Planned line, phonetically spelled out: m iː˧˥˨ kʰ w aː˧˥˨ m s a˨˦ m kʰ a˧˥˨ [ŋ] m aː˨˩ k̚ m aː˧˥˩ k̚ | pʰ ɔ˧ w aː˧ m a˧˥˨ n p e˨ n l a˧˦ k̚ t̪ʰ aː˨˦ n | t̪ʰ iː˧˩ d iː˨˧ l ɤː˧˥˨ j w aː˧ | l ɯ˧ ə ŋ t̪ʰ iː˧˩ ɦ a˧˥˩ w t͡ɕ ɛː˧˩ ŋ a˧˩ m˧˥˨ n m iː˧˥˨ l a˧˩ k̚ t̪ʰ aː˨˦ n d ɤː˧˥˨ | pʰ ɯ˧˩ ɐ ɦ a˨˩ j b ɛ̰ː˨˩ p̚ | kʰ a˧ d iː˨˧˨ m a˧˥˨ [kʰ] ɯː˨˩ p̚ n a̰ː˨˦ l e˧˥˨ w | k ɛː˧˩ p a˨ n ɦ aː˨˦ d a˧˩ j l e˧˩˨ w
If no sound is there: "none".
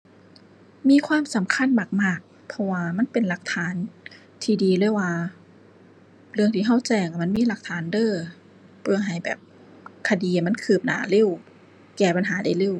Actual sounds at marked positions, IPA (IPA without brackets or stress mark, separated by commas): n, kʰ